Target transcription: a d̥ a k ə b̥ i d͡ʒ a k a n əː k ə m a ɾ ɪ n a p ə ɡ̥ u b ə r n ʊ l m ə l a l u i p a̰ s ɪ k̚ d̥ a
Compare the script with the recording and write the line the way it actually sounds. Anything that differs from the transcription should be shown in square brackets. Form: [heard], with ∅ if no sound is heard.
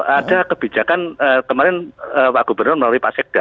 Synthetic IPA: a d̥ a k ə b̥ i d͡ʒ a k a n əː k ə m a ɾ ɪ n [ə] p [a] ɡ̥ u b ə r n ʊ [r] m ə l a l u i p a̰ s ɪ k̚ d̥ a

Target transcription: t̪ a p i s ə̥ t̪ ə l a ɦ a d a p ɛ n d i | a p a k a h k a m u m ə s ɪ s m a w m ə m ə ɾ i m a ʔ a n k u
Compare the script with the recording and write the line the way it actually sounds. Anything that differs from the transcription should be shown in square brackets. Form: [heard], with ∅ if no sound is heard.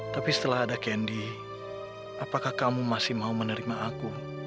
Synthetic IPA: t̪ a p i s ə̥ t̪ ə l a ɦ a d a [k] ɛ n d i | a p a k a h k a m u m [a] s ɪ [h] m a [u] m ə [n] ə ɾ i m a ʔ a [∅] k u

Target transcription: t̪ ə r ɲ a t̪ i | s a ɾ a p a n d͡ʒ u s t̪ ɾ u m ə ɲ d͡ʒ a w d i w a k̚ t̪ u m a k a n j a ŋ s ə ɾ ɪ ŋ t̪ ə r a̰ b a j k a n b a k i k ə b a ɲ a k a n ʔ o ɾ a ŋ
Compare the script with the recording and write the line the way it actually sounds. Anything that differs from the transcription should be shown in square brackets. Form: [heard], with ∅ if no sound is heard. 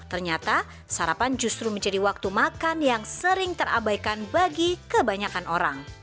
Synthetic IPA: t̪ ə r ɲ a t̪ [a] | s a ɾ a p a n d͡ʒ u s t̪ ɾ u m ə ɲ d͡ʒ a [∅] d i w a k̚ t̪ u m a k a n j a ŋ s ə ɾ ɪ ŋ t̪ ə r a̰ b a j k a n b a [ɡ] i k ə b a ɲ a k a n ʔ o ɾ a ŋ

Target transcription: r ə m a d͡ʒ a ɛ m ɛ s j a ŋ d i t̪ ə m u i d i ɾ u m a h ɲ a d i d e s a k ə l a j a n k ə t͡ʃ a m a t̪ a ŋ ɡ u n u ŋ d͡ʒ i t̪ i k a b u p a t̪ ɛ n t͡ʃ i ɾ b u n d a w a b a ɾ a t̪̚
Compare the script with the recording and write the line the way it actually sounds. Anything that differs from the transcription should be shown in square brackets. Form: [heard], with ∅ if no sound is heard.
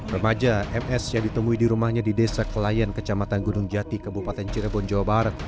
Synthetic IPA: r ə m a d͡ʒ a ɛ m ɛ s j a ŋ d i t̪ ə m u i d i ɾ u m a h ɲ a d i d e s a k ə l a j a n k ə t͡ʃ a m a t̪ a [n] ɡ u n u ŋ d͡ʒ [a] t̪ i k [ə] b u p a t̪ ɛ n t͡ʃ i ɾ b [ɔ] n [d͡ʒ] a w a b a ɾ a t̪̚

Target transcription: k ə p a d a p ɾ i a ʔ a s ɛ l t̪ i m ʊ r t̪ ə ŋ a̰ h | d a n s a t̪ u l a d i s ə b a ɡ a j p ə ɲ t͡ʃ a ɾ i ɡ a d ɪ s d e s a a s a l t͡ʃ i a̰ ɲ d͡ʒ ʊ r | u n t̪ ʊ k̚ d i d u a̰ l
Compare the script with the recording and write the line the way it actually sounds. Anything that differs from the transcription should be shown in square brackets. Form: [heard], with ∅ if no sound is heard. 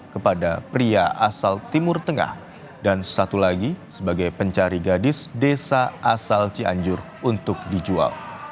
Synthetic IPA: k ə p a d a p ɾ i a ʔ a s [a] l t̪ i m ʊ r t̪ ə ŋ a̰ h | d a n s a t̪ u l a [ɡ] i s ə b a ɡ a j p ə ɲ t͡ʃ a ɾ i ɡ a d ɪ s d e s a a s a l t͡ʃ i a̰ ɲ d͡ʒ ʊ r | u n t̪ ʊ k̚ d i [d͡ʒ] u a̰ l

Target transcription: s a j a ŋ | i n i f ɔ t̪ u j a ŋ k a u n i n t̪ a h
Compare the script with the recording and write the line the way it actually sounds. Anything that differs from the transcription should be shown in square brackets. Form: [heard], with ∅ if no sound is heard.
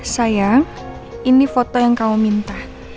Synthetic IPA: s a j a ŋ | i n i f ɔ t̪ [ɔ] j a ŋ k a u [m] i n t̪ a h

